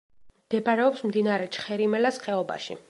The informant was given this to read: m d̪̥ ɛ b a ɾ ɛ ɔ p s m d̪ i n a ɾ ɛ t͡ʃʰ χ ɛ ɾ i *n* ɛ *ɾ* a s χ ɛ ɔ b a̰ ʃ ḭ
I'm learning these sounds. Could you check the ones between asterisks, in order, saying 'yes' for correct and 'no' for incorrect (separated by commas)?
no, no